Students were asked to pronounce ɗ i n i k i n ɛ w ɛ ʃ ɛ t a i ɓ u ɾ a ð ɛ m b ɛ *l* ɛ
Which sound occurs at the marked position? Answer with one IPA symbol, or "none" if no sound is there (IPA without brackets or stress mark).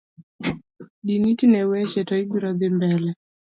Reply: l